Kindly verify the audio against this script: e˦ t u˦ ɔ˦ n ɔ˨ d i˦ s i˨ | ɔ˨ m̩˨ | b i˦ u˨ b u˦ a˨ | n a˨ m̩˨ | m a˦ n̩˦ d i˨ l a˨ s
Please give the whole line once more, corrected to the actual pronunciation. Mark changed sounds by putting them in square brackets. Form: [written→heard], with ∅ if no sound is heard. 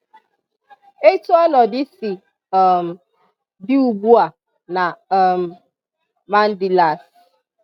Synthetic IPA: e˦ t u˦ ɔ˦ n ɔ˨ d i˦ s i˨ | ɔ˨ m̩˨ | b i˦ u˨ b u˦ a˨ | n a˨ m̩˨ | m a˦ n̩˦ d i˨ l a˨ s